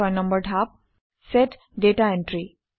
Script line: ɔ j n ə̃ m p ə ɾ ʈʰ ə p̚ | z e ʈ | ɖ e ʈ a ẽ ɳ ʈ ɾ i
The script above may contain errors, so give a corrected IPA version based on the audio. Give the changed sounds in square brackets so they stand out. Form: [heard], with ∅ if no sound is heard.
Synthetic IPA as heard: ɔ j n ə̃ m [b] ə ɾ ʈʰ [a] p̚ | [s] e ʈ | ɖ e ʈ a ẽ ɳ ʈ ɾ i